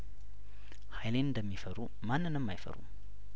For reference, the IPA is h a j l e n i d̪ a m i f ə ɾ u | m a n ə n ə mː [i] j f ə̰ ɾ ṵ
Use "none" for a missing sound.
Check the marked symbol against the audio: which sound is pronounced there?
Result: a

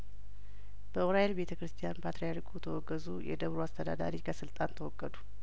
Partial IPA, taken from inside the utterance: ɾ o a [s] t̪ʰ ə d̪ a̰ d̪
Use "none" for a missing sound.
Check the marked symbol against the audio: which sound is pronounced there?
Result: s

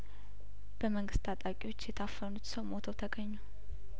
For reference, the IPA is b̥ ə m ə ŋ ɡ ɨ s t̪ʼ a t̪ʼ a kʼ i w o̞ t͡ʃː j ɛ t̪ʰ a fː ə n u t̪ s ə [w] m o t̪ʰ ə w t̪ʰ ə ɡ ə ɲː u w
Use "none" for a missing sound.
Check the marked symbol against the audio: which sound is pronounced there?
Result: w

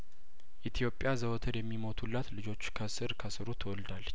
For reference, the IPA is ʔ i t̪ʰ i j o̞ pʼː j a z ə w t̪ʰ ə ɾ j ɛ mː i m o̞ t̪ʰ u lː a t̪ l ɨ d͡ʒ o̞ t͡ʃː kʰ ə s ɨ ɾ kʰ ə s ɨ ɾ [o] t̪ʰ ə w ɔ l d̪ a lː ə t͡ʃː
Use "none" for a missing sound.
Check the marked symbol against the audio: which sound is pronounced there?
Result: u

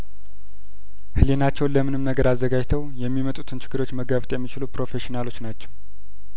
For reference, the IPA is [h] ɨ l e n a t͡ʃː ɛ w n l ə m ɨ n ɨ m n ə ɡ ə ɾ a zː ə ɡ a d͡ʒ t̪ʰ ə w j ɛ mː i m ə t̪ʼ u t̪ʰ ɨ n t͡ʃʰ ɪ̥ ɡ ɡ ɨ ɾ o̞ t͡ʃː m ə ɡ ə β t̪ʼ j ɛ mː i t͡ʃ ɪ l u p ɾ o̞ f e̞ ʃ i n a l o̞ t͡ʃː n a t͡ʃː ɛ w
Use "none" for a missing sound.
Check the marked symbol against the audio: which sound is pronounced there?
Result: h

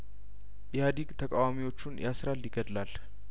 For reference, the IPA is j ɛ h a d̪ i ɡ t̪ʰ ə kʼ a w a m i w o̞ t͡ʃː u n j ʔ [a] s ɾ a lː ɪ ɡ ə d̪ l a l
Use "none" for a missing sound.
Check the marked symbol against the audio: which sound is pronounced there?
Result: a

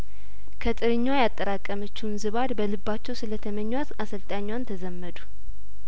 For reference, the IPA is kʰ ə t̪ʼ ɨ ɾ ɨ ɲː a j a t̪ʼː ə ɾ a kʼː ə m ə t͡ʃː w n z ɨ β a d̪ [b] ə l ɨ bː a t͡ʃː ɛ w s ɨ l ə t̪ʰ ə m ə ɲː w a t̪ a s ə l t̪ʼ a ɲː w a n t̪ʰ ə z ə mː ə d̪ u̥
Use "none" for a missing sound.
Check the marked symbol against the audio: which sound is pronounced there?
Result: b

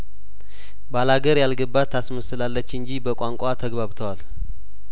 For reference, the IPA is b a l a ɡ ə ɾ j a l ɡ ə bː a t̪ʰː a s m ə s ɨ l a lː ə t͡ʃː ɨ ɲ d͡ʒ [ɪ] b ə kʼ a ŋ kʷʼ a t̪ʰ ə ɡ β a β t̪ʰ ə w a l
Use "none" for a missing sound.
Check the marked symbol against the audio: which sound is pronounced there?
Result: i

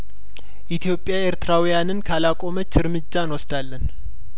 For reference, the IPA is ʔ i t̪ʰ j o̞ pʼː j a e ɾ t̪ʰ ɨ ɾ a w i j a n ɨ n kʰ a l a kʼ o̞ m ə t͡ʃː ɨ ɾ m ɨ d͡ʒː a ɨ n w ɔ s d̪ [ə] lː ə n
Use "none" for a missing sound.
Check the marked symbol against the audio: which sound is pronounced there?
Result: a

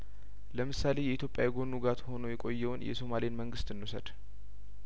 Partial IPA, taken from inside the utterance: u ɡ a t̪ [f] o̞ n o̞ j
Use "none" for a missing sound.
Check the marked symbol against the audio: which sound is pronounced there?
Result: h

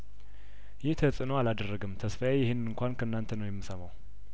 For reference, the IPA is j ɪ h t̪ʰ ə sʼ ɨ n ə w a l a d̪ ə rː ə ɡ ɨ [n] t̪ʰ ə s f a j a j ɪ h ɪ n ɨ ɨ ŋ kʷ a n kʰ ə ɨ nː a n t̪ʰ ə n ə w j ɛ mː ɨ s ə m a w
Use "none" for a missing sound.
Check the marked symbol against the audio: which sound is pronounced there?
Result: m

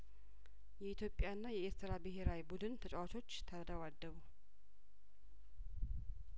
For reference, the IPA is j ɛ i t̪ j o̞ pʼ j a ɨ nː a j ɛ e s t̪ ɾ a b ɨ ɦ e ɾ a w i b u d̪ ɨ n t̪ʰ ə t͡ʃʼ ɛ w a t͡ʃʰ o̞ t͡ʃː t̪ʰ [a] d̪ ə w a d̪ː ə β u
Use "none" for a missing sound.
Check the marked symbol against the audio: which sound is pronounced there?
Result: ə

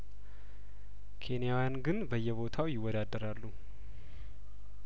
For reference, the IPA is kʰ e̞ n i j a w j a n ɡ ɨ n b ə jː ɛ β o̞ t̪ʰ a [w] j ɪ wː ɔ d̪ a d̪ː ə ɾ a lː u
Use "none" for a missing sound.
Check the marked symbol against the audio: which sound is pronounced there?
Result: w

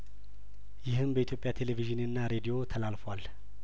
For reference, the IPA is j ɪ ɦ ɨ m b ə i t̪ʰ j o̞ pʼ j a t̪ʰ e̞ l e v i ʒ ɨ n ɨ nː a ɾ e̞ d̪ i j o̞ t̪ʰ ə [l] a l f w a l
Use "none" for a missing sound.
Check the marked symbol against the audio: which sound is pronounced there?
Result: l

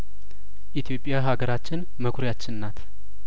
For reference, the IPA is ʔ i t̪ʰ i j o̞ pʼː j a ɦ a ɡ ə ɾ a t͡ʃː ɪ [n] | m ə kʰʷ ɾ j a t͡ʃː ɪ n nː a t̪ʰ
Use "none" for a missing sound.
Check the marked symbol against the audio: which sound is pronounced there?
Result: n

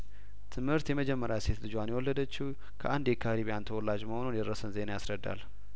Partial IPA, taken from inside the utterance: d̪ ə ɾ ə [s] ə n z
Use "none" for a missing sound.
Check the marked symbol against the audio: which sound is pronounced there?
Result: s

